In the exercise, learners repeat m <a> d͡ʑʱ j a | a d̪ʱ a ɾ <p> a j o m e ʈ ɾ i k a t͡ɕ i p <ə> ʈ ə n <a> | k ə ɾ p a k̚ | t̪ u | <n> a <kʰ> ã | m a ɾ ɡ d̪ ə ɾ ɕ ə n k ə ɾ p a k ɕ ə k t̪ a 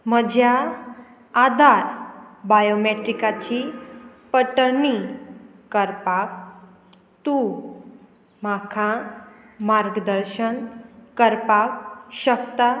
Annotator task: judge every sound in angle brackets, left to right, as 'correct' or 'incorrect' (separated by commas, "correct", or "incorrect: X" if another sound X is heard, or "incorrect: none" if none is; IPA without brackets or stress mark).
incorrect: ə, incorrect: b, correct, incorrect: i, incorrect: m, correct